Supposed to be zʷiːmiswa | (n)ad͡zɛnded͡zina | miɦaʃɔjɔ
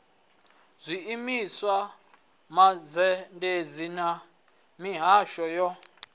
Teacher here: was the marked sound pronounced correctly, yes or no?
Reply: no